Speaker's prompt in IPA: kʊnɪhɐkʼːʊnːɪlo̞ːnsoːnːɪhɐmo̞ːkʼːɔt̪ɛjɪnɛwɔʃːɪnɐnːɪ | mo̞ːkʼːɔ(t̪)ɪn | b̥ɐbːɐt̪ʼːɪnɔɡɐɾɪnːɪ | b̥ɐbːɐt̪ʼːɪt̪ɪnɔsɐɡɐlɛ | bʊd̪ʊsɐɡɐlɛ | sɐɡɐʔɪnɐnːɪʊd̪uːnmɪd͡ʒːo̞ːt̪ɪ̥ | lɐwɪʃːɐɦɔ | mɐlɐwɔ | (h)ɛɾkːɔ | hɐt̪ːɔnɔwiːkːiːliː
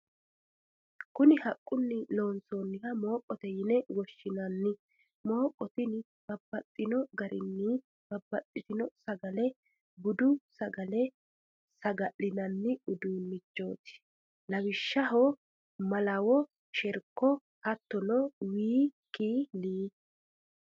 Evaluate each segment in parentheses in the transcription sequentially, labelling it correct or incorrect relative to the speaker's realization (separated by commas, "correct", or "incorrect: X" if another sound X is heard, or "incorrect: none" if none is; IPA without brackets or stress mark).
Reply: correct, incorrect: ʃ